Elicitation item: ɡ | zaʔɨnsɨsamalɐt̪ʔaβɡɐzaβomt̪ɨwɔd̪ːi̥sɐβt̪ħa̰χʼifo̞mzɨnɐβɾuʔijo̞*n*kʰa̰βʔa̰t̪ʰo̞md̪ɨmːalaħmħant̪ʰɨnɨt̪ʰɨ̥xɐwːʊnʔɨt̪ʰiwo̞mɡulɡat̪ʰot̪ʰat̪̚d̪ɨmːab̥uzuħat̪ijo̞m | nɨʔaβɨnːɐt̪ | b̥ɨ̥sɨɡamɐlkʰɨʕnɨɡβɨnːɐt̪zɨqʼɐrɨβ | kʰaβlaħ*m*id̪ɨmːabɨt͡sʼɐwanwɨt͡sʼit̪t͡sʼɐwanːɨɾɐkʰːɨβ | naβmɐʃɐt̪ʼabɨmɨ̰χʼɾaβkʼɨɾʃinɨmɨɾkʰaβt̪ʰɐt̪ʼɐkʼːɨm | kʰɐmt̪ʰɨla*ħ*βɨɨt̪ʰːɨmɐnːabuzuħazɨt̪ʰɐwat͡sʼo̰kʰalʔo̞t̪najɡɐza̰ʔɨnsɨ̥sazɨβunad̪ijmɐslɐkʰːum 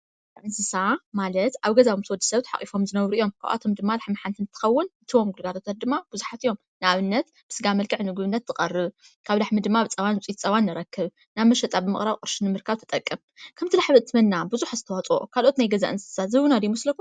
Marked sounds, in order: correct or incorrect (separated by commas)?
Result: incorrect, correct, correct